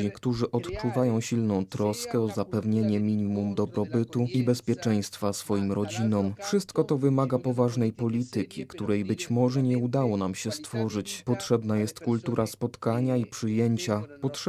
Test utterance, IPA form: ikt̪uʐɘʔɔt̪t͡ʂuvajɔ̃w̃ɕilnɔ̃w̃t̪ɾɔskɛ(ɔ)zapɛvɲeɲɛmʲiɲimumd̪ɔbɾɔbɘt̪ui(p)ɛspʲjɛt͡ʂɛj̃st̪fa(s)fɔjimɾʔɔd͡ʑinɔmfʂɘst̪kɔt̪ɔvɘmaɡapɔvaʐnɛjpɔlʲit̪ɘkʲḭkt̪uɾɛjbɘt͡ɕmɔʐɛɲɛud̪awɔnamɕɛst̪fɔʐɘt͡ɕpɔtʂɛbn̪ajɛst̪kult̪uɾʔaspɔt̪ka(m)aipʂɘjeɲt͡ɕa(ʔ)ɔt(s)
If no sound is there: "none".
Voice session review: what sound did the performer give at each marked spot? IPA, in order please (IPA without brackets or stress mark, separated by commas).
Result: ɔ, b, s, ɲ, p, ʂ